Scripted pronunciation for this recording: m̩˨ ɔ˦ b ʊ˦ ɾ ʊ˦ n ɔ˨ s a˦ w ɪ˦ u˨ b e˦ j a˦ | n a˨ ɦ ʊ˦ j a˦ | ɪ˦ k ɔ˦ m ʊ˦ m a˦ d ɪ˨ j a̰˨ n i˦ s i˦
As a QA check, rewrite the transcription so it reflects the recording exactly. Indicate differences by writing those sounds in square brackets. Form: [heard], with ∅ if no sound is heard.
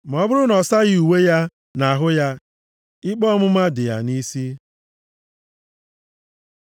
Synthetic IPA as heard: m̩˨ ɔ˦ b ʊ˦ ɾ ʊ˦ n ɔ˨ s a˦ [ɣ] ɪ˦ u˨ [w] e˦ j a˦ | n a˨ ɦ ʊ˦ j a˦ | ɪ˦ [k͡p] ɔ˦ m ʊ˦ m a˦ d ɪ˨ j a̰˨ n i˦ s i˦